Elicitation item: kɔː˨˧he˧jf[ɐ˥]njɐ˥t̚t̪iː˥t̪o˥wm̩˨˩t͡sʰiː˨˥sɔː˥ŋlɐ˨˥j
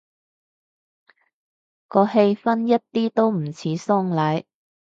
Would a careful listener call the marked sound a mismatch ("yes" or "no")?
no